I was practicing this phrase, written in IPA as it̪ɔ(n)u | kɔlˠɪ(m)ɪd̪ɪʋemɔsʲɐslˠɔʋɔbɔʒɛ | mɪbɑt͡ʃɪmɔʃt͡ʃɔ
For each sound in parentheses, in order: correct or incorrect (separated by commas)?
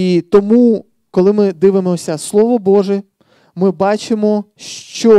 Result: incorrect, correct